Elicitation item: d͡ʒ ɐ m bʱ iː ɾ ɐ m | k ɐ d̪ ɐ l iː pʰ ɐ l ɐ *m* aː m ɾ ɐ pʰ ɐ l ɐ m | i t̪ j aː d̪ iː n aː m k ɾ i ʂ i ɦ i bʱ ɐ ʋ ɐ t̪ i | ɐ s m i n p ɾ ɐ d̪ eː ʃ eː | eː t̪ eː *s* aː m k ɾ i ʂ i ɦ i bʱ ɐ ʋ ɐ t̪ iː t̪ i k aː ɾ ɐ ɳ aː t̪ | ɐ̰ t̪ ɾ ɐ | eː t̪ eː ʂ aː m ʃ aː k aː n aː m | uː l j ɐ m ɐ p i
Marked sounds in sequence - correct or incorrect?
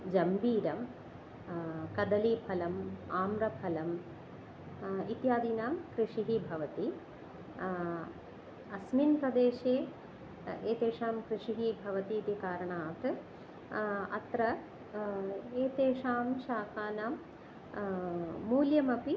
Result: correct, incorrect

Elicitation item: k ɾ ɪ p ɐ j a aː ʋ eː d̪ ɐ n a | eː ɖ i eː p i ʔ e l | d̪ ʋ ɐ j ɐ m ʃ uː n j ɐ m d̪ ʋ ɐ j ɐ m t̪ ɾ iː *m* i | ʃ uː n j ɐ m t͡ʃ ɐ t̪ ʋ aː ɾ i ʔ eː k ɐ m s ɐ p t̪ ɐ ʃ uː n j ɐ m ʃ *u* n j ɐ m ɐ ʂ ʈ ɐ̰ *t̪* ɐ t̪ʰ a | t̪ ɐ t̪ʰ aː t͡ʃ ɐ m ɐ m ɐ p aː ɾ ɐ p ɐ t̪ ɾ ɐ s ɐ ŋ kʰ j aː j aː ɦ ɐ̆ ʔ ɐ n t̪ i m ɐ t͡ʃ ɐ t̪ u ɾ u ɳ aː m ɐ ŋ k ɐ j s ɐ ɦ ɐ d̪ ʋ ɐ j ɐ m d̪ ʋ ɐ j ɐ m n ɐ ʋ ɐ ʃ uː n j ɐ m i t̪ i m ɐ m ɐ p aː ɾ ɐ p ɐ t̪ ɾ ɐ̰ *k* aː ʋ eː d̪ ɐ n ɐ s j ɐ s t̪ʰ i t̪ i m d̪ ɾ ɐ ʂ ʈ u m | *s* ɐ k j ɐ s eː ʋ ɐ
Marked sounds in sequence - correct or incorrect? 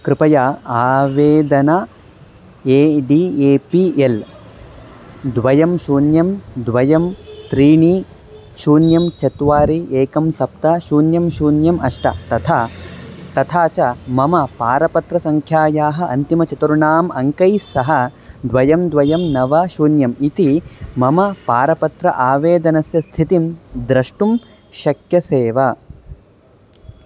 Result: incorrect, incorrect, correct, incorrect, incorrect

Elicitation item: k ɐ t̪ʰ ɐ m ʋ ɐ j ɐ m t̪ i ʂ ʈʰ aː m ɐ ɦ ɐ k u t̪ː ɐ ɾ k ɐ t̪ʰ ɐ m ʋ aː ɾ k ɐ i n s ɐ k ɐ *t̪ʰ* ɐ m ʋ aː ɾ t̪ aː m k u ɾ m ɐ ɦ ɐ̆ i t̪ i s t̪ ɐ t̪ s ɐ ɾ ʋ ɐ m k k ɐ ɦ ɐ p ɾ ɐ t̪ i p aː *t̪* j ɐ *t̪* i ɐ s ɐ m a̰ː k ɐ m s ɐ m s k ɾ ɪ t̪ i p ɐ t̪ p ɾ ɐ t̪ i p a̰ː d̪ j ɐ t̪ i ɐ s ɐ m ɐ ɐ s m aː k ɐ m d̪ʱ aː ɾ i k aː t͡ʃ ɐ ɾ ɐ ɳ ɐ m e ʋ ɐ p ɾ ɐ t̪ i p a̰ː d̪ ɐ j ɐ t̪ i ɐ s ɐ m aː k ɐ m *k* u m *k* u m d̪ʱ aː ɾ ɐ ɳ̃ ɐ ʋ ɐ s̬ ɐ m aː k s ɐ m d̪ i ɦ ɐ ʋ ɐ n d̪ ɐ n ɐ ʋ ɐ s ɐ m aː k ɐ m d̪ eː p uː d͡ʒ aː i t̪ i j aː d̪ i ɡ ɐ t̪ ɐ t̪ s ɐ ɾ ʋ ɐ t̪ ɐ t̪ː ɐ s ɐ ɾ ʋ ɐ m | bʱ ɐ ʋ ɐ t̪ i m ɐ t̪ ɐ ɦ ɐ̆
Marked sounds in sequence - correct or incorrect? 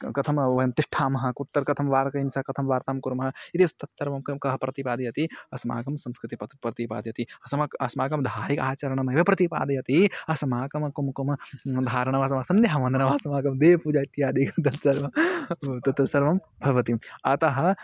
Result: correct, incorrect, correct, correct, correct

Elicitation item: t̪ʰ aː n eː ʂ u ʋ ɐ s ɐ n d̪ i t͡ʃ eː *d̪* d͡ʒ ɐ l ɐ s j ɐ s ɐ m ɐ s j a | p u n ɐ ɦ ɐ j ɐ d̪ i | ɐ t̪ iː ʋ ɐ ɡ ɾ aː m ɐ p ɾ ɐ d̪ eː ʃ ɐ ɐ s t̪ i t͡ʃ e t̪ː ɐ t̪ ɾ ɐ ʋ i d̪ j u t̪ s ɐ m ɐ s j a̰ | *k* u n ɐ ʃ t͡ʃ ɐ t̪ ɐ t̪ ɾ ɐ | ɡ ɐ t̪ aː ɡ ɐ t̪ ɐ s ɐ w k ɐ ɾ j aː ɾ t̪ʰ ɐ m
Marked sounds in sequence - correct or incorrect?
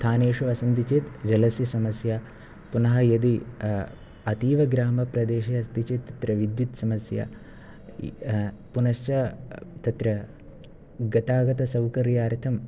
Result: incorrect, incorrect

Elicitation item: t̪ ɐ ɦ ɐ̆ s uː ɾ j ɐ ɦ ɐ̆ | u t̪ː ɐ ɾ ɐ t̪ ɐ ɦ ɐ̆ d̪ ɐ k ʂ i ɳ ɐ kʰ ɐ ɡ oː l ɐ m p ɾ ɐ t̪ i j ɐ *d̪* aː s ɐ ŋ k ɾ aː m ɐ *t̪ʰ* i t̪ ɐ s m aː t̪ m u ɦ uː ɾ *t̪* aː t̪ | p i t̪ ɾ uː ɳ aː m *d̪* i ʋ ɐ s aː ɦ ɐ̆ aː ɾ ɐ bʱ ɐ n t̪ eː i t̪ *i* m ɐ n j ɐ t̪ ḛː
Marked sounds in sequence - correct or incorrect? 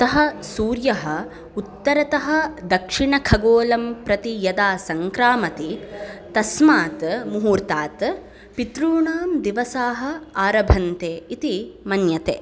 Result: correct, incorrect, correct, correct, correct

